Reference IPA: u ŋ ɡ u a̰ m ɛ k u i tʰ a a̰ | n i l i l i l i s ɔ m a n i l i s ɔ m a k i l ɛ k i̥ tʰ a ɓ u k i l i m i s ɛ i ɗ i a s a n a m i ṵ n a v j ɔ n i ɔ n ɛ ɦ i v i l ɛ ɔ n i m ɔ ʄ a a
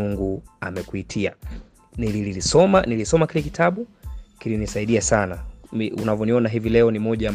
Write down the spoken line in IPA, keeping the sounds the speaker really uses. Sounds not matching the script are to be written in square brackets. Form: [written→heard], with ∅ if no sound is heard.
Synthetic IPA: u ŋ ɡ u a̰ m ɛ k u i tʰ [a→i] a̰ | n i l i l i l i s ɔ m a n i l i s ɔ m a k i l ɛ k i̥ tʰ a ɓ u k i l i [m→n] i s [ɛ→a] i ɗ i a s a n a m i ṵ n a v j ɔ n i ɔ n [ɛ→a] ɦ i v i l ɛ ɔ n i m ɔ ʄ a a